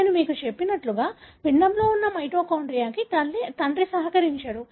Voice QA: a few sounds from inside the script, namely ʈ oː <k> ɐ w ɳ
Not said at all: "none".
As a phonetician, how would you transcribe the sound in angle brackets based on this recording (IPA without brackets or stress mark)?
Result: k